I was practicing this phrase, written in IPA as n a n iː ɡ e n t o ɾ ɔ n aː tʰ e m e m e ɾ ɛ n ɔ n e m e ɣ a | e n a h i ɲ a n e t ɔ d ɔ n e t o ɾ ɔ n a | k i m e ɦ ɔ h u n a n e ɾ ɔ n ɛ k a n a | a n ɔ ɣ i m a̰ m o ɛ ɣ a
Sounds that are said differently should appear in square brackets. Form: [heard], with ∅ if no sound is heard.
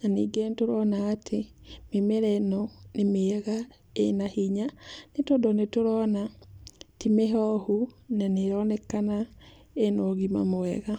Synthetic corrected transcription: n a n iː ɡ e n t o ɾ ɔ n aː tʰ e m e m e ɾ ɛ n ɔ n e m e ɣ a | e n a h i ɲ a n e t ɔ d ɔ n e t o ɾ ɔ n a | [t] i m e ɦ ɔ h u n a n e ɾ ɔ n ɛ k a n a | [e] n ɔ ɣ i m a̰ m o ɛ ɣ a